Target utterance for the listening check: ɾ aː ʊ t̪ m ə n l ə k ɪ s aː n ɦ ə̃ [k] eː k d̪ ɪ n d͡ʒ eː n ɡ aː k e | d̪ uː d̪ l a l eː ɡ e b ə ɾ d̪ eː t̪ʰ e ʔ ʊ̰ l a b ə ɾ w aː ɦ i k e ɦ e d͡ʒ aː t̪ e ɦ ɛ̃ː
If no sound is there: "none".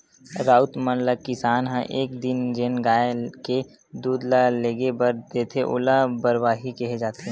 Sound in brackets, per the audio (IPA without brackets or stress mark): ʔ